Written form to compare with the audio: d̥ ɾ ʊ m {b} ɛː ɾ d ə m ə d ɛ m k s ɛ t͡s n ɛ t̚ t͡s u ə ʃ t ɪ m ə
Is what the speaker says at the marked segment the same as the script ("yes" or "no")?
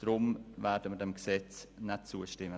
no